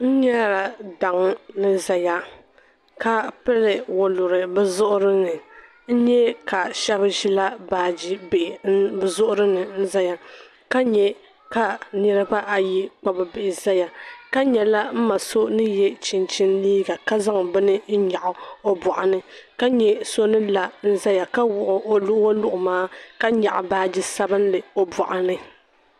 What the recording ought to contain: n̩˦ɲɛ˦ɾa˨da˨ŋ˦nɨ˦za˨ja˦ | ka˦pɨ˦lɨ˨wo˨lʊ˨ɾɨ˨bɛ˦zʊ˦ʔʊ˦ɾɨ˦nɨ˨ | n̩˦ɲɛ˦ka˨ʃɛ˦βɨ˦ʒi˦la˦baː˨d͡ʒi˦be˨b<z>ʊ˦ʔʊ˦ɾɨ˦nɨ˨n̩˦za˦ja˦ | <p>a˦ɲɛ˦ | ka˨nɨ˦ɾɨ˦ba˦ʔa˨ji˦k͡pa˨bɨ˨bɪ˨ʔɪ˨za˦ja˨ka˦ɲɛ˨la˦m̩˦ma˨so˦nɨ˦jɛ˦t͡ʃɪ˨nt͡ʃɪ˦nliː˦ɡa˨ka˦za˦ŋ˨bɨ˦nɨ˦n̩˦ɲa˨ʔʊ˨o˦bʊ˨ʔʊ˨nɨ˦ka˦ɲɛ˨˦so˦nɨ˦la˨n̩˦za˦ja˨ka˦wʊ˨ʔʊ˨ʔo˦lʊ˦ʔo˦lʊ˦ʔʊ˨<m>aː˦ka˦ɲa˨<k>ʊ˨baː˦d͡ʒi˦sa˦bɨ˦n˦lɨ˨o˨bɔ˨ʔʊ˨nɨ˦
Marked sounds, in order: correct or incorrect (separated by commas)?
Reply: correct, incorrect, correct, incorrect